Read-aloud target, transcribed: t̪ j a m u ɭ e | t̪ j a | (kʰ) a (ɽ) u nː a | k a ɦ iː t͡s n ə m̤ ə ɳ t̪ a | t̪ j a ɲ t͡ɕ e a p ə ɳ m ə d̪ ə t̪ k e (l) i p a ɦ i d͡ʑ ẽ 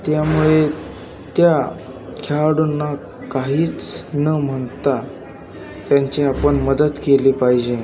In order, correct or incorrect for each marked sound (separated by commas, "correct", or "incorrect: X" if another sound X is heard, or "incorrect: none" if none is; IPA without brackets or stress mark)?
correct, correct, correct